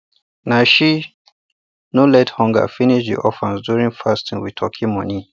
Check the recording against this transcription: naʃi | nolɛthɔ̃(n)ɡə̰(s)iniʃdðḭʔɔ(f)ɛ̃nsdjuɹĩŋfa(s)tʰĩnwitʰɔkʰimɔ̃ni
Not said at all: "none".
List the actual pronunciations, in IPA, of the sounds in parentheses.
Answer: ŋ, f, f, s

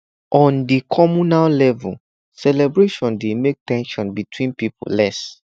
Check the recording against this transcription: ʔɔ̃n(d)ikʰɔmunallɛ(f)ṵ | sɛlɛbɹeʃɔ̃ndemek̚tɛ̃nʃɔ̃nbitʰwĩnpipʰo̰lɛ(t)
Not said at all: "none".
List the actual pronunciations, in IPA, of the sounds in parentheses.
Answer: d, v, s

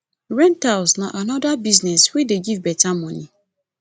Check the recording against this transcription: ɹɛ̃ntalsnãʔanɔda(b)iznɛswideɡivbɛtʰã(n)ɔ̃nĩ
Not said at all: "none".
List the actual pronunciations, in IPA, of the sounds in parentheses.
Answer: b, m

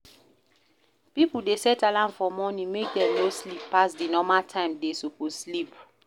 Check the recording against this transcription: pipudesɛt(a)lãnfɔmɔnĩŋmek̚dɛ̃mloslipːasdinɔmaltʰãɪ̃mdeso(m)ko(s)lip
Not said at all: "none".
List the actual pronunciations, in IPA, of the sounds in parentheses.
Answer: a, none, s

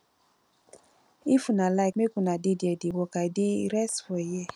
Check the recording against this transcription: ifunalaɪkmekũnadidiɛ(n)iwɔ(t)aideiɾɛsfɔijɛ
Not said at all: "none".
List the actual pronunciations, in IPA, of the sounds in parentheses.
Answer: d, k

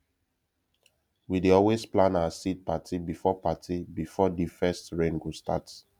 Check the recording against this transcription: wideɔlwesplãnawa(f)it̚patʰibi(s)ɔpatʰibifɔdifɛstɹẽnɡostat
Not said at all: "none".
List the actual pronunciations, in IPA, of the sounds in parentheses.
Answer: s, f

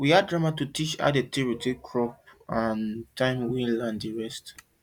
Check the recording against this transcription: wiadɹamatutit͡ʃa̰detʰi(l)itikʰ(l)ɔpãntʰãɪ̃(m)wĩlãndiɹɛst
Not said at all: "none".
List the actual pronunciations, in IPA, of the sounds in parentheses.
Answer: ɹ, ɹ, m

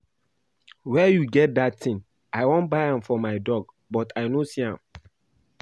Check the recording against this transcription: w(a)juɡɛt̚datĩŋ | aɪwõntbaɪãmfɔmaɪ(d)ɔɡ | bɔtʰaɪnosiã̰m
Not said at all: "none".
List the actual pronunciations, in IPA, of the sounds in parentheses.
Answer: ɛ, d

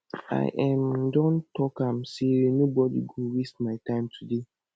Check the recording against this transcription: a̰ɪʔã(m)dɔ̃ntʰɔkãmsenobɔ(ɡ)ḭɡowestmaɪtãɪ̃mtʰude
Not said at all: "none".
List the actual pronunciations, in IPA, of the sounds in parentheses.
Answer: m, d

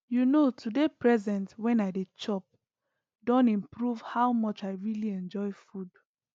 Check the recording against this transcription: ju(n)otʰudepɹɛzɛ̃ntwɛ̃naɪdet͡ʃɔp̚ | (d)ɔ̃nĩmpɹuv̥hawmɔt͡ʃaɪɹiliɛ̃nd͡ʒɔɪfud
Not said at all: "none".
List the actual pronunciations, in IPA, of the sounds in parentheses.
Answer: n, d

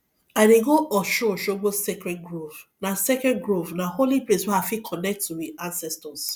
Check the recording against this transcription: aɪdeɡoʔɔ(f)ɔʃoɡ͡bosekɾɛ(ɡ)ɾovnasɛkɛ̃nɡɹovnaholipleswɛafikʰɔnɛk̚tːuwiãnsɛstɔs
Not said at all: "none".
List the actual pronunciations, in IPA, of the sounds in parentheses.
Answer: ʃ, ɡ

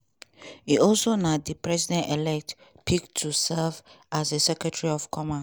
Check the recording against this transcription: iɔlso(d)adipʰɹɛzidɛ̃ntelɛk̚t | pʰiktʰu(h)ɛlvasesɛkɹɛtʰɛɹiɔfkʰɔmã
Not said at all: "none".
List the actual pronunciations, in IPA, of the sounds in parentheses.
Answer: n, s

